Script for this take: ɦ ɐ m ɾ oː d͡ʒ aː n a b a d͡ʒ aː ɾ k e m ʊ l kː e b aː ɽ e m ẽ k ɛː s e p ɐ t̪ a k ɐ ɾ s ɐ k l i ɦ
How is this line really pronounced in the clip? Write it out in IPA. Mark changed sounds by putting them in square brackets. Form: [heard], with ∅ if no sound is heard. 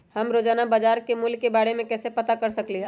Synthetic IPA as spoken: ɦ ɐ m ɾ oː d͡ʒ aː n a b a d͡ʒ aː ɾ k e m ʊ l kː e b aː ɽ e m ẽ k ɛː s e p ɐ t̪ a k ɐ ɾ s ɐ k l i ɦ